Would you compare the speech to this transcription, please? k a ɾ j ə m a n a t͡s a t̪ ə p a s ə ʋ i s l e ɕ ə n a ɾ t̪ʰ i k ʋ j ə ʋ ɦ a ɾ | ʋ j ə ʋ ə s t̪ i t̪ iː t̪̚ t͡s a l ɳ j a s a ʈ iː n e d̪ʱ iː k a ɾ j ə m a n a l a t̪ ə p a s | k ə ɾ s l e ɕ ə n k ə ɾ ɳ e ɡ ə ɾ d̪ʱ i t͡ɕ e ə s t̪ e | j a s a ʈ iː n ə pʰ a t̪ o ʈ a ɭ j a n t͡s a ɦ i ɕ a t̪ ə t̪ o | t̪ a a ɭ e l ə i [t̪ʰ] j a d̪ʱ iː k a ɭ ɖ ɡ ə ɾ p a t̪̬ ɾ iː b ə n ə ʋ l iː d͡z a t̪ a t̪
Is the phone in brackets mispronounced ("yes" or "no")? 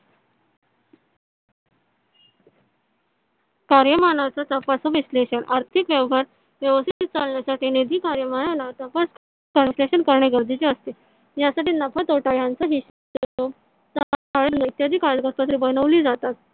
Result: yes